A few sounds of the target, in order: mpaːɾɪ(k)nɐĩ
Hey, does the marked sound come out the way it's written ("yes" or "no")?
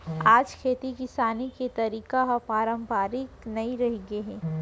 yes